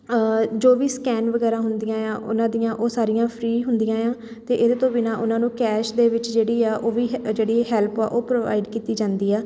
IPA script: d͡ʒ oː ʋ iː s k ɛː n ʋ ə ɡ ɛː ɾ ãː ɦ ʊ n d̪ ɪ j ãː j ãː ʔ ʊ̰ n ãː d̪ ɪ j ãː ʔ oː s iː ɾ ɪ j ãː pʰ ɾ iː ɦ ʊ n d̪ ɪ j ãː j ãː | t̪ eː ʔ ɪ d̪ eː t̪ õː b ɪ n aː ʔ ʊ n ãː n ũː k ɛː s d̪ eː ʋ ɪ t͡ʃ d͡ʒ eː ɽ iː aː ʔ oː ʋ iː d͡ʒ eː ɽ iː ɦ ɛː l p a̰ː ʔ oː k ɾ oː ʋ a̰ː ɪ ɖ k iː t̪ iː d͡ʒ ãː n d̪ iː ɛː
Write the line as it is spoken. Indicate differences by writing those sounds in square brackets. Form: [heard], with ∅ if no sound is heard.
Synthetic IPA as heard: d͡ʒ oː ʋ iː s k ɛː n ʋ ə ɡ ɛː ɾ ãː ɦ ʊ n d̪ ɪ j ãː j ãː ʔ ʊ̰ n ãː d̪ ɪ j ãː ʔ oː s [aː] ɾ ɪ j ãː pʰ ɾ iː ɦ ʊ n d̪ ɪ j ãː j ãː | t̪ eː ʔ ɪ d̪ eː t̪ õː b ɪ n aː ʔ ʊ n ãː n ũː k ɛː [ʃ] d̪ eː ʋ ɪ t͡ʃ d͡ʒ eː ɽ iː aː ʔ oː ʋ iː d͡ʒ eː ɽ iː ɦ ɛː l p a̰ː ʔ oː [p] ɾ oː ʋ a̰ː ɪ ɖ k iː t̪ iː d͡ʒ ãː n d̪ iː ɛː